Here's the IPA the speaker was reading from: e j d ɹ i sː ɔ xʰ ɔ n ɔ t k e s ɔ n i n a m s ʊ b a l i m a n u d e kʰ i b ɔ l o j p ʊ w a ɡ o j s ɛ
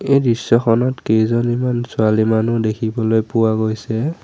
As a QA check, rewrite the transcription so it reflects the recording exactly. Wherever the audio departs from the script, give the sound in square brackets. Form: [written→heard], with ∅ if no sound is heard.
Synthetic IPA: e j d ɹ i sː ɔ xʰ ɔ n ɔ t k e [s→z] ɔ n i [n→m] a [m→n] s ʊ [b→∅] a l i m a n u d e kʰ i b ɔ l o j p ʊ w a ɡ o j s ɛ